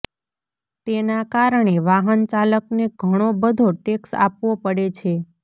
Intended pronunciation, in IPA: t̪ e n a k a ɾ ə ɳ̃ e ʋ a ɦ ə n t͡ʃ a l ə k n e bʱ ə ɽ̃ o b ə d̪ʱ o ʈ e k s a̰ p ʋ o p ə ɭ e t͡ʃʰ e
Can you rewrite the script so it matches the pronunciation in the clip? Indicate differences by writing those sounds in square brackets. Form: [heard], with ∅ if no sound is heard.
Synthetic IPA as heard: t̪ e n a k a ɾ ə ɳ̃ e ʋ a ɦ ə n t͡ʃ a l ə k n e [ɡʱ] ə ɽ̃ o b ə d̪ʱ o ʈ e k s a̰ p ʋ o p ə [ɽ] e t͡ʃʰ e